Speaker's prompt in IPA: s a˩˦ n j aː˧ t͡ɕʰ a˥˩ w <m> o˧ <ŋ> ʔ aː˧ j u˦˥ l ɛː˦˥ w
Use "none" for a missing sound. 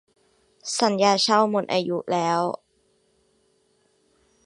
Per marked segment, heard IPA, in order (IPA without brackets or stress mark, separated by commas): m, n